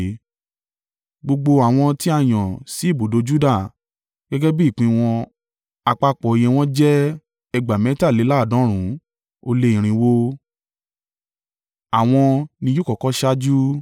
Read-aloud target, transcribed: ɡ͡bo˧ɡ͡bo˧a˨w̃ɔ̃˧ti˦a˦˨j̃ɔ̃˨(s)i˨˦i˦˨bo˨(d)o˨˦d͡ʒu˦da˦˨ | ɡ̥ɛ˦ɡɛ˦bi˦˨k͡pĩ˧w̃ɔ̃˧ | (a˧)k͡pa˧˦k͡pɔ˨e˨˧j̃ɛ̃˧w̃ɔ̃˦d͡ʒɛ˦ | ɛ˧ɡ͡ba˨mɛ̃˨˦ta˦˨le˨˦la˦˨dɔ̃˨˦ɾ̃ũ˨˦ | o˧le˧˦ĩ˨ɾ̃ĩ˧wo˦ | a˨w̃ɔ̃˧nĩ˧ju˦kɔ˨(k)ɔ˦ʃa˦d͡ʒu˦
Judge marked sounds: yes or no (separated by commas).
yes, yes, yes, yes